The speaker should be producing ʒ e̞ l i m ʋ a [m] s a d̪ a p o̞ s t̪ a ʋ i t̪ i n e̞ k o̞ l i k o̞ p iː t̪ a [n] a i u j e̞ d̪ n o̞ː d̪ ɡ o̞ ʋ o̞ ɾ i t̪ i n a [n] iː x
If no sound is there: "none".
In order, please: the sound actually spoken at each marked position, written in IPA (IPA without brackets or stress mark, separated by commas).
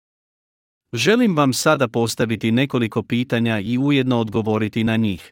m, ɲ, ɲ